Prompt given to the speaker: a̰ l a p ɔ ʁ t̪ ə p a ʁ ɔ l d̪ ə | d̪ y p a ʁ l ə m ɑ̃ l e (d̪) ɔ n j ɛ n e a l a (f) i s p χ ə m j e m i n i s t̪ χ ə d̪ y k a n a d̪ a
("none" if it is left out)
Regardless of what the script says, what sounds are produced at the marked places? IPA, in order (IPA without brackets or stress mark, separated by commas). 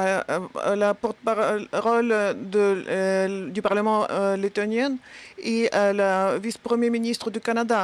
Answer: t̪, v